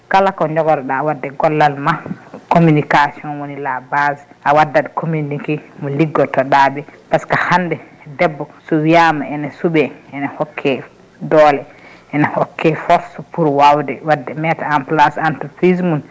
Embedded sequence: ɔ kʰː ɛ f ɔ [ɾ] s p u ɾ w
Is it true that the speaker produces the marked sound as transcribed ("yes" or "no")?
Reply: yes